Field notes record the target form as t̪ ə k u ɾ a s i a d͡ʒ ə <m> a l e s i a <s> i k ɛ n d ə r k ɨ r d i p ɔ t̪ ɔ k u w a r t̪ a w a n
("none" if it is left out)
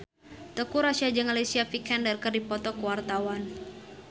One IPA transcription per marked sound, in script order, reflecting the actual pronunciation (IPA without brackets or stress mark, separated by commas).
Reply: ŋ, f